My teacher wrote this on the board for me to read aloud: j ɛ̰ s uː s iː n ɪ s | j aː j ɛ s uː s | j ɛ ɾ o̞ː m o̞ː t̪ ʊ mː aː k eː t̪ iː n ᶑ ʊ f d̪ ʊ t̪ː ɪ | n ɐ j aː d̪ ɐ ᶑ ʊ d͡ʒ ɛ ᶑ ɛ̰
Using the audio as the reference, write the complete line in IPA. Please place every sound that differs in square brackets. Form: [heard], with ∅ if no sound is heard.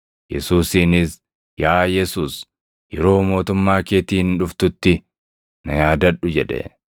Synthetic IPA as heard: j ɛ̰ s uː s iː n ɪ s | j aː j ɛ s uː s | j ɛ ɾ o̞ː m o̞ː t̪ ʊ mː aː k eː t̪ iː n ᶑ ʊ f [t̪] ʊ t̪ː ɪ | n ɐ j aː d̪ ɐ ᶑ ʊ d͡ʒ ɛ ᶑ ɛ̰